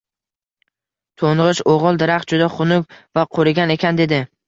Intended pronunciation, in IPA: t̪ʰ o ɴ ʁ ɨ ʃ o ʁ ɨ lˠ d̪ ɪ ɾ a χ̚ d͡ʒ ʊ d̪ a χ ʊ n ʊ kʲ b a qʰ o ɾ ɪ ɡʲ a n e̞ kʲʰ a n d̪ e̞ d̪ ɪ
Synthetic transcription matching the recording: t̪ʰ o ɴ ʁ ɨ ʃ o ʁ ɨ lˠ d̪ ɪ ɾ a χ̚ d͡ʒ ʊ d̪ a χ ʊ n ʊ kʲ v a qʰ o ɾ ɪ ɡʲ a n e̞ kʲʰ a n d̪ e̞ d̪ ɪ